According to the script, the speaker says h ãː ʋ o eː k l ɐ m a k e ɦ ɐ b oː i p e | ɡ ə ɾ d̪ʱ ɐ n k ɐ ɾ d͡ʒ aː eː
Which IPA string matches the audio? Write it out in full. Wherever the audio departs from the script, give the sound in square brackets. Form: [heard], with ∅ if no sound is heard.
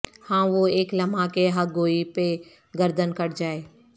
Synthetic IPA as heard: h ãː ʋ o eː k l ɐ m a k e ɦ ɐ [ɡ] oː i p e | ɡ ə ɾ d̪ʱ [ə] n k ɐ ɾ d͡ʒ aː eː